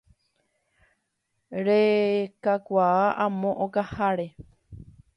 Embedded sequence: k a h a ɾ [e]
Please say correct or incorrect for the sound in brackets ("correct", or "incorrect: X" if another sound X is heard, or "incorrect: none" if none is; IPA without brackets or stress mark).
correct